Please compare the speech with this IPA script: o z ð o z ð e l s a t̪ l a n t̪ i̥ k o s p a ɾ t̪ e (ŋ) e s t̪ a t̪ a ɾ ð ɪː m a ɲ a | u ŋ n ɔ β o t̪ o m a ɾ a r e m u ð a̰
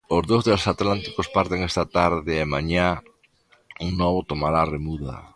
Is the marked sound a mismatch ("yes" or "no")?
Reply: no